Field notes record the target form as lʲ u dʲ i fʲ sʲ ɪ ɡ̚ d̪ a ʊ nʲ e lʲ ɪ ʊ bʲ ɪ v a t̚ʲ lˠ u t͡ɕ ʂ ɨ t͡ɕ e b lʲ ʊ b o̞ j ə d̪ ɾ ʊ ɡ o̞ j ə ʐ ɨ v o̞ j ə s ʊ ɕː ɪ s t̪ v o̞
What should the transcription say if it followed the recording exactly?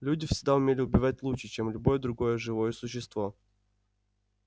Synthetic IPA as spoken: lʲ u dʲ ɪ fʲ sʲ ɪ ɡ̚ d̪ a ʊ mʲ e lʲ ɪ ʊ bʲ ɪ v a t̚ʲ lˠ u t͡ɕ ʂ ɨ t͡ɕ e m lʲ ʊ b o̞ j ə d̪ ɾ ʊ ɡ o̞ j ə ʐ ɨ v o̞ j ə s ʊ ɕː ɪ s t̪ v o̞